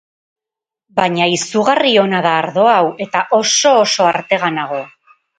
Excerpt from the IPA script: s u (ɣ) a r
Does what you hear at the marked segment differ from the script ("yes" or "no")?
no